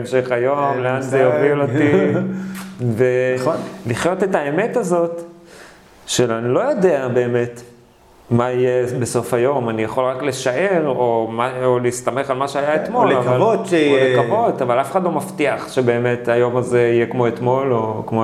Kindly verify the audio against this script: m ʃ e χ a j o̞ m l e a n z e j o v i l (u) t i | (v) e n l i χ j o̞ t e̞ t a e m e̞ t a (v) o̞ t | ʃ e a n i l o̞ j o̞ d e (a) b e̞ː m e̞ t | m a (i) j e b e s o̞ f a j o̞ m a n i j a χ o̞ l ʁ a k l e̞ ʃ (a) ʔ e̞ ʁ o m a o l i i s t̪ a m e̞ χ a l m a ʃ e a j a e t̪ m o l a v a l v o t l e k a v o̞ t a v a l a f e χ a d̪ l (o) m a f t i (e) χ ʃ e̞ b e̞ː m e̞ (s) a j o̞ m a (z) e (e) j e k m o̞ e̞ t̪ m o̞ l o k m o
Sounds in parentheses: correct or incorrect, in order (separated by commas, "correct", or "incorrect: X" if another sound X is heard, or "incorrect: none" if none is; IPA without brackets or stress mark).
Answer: incorrect: o, correct, incorrect: z, correct, correct, correct, correct, incorrect: a, incorrect: t, correct, incorrect: i